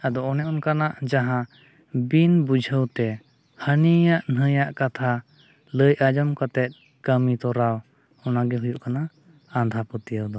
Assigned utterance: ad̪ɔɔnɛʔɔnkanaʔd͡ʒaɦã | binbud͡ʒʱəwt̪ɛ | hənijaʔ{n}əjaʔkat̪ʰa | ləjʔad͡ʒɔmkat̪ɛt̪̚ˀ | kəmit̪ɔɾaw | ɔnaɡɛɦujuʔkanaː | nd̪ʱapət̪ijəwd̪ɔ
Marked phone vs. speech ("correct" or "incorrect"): correct